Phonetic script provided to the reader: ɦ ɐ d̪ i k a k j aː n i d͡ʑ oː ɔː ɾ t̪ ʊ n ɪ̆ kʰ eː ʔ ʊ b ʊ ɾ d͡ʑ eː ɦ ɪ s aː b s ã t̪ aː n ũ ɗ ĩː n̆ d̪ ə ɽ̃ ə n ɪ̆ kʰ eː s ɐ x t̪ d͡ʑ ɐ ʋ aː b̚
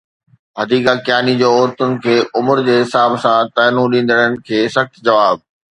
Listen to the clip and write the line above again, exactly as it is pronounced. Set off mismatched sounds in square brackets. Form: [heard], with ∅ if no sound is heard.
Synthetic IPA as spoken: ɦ ɐ d̪ [iː] k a k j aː n i d͡ʑ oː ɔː ɾ t̪ ʊ n ɪ̆ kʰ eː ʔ ʊ [m] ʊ ɾ d͡ʑ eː ɦ ɪ s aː b s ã t̪ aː n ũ ɗ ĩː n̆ d̪ ə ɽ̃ ə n ɪ̆ kʰ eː s ɐ x t̪ d͡ʑ ɐ ʋ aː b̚